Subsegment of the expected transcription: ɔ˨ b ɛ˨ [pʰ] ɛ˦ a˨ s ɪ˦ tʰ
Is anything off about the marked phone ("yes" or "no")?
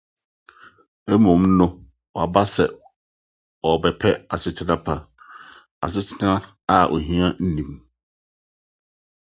no